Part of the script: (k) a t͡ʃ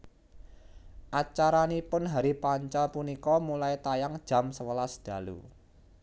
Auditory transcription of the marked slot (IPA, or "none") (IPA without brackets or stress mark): ʔ